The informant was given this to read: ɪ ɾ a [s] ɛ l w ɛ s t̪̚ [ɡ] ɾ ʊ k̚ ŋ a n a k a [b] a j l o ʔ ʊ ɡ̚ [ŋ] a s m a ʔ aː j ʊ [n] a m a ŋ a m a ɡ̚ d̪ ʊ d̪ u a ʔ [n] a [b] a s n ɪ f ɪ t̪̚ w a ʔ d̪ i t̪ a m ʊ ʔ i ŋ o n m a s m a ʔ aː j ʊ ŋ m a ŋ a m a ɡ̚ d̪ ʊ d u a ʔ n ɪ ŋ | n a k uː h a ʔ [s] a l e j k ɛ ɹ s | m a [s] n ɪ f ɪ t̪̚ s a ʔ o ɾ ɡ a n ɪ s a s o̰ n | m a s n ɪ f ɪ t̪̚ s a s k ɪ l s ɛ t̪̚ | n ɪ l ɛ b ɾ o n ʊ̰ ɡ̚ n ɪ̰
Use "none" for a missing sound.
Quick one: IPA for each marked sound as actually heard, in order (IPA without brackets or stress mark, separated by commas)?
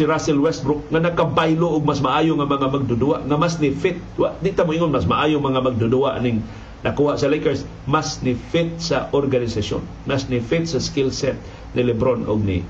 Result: s, b, b, m, ŋ, ŋ, m, s, s